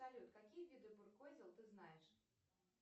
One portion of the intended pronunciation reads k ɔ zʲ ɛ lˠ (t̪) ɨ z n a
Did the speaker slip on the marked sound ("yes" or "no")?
no